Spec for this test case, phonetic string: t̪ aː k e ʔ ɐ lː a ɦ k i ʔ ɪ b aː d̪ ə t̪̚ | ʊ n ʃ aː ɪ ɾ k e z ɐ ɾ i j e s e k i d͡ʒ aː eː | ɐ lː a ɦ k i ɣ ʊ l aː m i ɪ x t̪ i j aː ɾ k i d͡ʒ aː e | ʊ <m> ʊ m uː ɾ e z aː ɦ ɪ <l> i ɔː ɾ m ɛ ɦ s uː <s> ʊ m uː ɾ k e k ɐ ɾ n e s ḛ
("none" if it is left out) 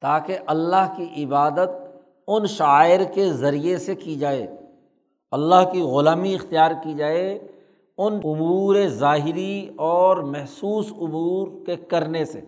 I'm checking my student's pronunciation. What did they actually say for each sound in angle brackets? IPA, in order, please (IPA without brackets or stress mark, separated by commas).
n, ɾ, s